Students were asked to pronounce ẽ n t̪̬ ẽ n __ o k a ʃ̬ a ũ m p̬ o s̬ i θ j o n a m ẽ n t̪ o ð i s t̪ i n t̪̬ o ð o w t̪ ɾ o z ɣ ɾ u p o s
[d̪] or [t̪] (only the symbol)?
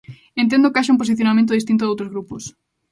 d̪